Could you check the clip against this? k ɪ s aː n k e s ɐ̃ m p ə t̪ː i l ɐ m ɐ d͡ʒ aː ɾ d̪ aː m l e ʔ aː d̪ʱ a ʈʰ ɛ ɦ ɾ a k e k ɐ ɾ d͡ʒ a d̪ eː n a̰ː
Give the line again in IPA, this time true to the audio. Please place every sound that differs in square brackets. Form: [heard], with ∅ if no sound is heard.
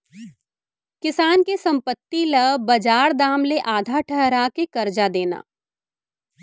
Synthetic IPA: k ɪ s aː n k e s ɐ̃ m p ə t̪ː i l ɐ [b] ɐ d͡ʒ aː ɾ d̪ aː m l e ʔ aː d̪ʱ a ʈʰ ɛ ɦ ɾ a k e k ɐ ɾ d͡ʒ a d̪ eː n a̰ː